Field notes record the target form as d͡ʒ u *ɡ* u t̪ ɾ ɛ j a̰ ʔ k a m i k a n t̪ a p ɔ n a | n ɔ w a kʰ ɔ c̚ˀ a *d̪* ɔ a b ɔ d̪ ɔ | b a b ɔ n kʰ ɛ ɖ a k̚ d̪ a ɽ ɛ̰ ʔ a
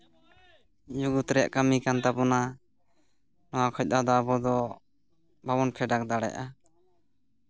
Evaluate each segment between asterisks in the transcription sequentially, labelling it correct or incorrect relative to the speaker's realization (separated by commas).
correct, correct